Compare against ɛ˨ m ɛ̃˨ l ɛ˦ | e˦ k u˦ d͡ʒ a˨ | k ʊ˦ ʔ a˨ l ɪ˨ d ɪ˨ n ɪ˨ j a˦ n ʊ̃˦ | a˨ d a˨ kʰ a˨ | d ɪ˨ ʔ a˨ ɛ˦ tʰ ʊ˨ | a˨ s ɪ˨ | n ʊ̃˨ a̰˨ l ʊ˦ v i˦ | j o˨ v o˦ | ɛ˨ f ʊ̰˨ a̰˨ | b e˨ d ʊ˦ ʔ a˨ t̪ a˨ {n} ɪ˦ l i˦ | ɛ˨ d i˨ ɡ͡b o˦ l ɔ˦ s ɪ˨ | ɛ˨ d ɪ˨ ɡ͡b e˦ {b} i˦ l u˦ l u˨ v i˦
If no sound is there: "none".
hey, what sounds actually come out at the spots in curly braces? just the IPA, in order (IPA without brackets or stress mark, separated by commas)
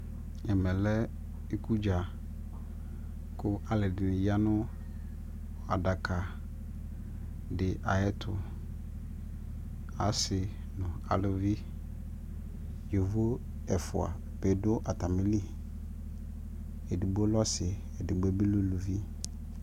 m, b